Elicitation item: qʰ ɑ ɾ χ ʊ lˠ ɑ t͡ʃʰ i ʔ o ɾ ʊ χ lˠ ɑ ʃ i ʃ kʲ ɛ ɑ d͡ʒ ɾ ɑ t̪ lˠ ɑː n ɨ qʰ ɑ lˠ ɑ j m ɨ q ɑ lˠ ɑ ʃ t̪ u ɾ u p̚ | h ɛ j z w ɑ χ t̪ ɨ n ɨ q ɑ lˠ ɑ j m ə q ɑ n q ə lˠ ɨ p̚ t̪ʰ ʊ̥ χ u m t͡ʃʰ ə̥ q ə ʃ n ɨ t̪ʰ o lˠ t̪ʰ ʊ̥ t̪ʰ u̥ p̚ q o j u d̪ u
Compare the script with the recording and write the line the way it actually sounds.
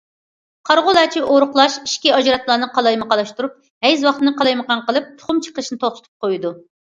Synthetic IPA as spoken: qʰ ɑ ɾ ʁ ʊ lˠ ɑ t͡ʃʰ i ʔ o ɾ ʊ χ lˠ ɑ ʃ i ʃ kʲ i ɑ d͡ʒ ɾ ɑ t̪ lˠ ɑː n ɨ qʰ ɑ lˠ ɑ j m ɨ q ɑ lˠ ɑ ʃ t̪ u ɾ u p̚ | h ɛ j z w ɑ χ t̪ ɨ n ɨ q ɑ lˠ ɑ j m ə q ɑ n q ə lˠ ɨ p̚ t̪ʰ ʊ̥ χ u m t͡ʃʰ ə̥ q ə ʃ n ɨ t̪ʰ o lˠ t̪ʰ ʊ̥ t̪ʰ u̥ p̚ q o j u d̪ u